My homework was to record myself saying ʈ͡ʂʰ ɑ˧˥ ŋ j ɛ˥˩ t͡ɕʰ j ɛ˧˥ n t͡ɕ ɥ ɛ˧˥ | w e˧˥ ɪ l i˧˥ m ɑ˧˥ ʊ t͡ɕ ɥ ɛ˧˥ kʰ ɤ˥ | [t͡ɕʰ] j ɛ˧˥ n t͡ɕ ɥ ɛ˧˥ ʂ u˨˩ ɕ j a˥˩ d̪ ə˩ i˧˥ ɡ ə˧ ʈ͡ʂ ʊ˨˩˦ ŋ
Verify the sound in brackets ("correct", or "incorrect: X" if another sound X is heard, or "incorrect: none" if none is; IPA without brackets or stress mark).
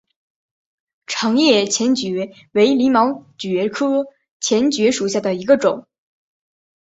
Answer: correct